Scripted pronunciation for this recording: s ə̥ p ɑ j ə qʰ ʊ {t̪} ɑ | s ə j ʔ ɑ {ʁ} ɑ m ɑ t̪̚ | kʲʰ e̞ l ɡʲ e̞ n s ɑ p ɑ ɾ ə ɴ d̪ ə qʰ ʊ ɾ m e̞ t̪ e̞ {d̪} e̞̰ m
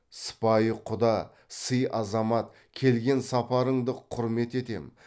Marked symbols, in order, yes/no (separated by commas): no, no, no